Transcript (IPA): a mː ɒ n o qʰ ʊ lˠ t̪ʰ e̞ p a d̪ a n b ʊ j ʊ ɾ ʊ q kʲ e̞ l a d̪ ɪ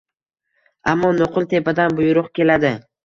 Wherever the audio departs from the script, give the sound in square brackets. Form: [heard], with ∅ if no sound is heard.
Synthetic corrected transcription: a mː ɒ n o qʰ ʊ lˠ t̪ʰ e̞ p a d̪ a n b ʊ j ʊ ɾ ʊ q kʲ e̞ l a d̪ ɪ